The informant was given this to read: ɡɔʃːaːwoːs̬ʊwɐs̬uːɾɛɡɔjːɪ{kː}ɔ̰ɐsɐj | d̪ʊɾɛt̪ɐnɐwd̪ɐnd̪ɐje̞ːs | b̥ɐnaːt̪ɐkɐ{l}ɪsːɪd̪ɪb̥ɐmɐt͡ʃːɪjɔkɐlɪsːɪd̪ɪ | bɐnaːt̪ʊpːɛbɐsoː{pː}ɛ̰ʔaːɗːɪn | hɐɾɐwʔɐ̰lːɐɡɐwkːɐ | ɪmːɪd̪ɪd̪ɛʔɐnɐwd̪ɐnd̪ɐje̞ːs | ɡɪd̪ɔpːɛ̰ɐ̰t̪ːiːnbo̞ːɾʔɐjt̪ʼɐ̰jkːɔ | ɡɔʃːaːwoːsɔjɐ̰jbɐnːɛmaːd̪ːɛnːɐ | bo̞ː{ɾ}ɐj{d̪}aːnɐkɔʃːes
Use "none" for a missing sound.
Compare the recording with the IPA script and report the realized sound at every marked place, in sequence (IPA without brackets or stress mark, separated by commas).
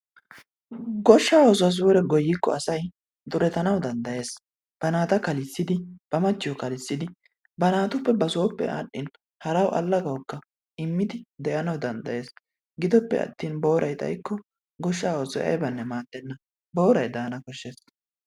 kː, l, pː, ɾ, d̪